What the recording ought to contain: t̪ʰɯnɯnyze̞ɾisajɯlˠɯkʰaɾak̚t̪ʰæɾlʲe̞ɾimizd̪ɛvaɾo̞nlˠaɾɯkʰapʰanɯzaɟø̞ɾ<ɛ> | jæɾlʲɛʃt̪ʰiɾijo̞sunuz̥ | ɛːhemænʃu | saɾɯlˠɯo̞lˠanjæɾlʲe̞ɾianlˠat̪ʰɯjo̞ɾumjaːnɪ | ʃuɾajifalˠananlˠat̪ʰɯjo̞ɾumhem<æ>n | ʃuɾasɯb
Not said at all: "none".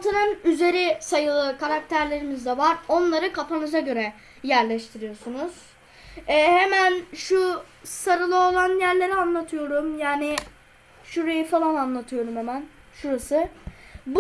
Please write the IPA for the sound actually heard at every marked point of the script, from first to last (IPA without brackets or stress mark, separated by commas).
ɛ, æ